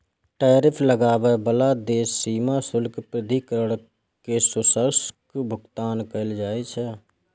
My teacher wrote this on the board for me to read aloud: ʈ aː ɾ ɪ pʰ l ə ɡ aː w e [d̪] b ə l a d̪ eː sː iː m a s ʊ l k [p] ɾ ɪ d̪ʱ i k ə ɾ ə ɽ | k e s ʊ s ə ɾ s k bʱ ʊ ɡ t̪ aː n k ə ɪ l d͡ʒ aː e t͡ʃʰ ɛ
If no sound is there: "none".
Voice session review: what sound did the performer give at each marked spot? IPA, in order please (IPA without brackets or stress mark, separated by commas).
none, p